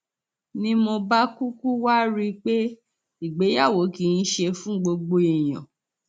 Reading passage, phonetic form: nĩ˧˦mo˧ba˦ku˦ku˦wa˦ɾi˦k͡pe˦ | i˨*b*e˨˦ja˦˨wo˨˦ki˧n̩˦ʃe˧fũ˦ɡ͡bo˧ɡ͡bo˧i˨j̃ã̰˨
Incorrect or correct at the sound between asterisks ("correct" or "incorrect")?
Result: incorrect